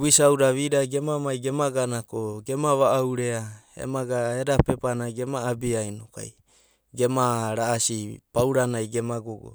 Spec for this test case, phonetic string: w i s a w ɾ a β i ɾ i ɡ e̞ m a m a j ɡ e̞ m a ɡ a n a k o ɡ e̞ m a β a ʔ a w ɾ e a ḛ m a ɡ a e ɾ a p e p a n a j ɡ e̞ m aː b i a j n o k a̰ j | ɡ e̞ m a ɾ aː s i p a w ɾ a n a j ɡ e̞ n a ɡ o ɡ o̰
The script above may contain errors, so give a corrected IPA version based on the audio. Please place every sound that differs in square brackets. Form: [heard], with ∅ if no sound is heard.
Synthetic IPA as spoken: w i s a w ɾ a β i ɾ [a] ɡ e̞ m a m a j ɡ e̞ m a ɡ a n a k o ɡ e̞ m a β a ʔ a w ɾ e a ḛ m a ɡ a e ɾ a p e p a n a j ɡ e̞ m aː b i a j n o k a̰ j | ɡ e̞ m a ɾ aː s i p a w ɾ a n a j ɡ e̞ [m] a ɡ o ɡ o̰